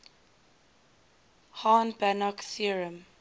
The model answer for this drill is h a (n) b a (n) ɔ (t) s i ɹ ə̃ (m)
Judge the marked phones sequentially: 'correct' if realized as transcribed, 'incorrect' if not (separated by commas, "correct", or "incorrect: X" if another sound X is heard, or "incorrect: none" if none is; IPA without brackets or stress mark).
correct, correct, incorrect: k, correct